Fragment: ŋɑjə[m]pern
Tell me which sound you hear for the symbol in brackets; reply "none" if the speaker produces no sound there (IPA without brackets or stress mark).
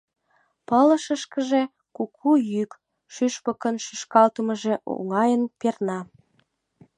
n